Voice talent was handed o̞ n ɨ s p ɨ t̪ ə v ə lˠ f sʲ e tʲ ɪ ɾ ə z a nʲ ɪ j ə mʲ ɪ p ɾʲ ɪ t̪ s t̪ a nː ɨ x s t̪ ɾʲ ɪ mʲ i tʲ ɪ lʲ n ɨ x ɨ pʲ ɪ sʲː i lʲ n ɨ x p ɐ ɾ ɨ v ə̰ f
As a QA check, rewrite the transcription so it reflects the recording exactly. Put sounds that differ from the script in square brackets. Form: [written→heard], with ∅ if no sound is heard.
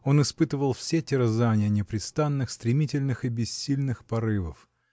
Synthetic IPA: o̞ n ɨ s p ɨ t̪ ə v ə lˠ f sʲ e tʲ ɪ ɾ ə z a nʲ ɪ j ə [mʲ→nʲ] ɪ p ɾʲ ɪ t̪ s t̪ a nː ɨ x s t̪ ɾʲ ɪ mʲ i tʲ ɪ lʲ n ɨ x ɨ [pʲ→bʲ] ɪ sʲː i lʲ n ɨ x p ɐ ɾ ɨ v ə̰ f